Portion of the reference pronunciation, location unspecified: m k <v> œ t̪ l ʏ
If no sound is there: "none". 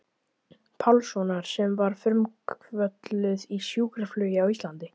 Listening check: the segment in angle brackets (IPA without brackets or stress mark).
v